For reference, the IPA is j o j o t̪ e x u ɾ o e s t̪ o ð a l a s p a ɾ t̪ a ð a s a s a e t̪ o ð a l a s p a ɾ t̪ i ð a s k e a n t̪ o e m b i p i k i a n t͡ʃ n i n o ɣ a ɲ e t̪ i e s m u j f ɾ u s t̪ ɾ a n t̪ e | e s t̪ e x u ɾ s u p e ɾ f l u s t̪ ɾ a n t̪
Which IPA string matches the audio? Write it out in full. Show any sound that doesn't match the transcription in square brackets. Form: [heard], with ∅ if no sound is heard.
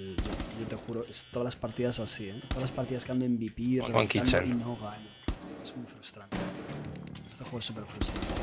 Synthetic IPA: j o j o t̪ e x u ɾ o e s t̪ o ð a l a s p a ɾ t̪ [i] ð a s a s [i] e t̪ o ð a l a s p a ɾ t̪ i ð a s k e a n [d̪] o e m b i p i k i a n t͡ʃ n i n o ɣ a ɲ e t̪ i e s m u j f ɾ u s t̪ ɾ a n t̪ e | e s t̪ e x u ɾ s u p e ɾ f [ɾ] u s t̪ ɾ a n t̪